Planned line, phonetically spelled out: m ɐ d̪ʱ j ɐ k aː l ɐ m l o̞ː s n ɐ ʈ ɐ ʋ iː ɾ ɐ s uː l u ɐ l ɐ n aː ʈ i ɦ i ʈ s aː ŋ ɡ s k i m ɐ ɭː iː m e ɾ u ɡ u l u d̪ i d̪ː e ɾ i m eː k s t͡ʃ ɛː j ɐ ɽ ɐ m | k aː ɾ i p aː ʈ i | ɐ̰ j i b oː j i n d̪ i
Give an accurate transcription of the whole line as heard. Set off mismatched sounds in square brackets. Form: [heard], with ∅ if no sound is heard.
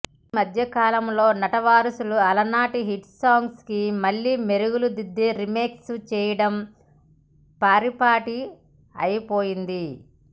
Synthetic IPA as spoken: m ɐ d̪ʱ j ɐ k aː l ɐ m l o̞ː [∅] n ɐ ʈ ɐ ʋ [aː] ɾ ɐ s [u] l u ɐ l ɐ n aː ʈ i ɦ i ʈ s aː ŋ ɡ s k i m ɐ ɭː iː m e ɾ u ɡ u l u d̪ i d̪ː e ɾ i m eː k s t͡ʃ ɛː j ɐ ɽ ɐ m | [p] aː ɾ i p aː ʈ i | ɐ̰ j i [p] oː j i n d̪ i